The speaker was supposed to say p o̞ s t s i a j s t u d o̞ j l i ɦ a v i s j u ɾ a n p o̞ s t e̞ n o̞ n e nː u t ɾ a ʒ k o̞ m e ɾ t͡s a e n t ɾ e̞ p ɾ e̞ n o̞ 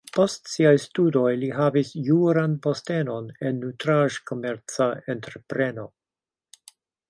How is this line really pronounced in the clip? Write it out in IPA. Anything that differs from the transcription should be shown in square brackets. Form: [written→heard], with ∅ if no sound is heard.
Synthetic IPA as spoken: p o̞ s t s i a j s t u d o̞ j l i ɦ a v i s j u ɾ a n p o̞ s t e̞ n o̞ n e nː u t ɾ a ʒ k o̞ m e ɾ t͡s a e n t ɾ e̞ p ɾ e̞ n o̞